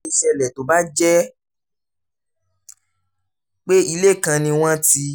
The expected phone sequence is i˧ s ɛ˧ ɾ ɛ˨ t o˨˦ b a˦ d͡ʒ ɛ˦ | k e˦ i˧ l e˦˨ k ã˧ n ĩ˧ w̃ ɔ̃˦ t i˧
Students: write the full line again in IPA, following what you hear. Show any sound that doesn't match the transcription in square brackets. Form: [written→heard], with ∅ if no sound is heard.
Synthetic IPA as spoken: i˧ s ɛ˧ [ɾ→l] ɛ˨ t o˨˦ b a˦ d͡ʒ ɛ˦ | [k→k͡p] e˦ i˧ l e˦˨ k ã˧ n ĩ˧ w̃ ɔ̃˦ t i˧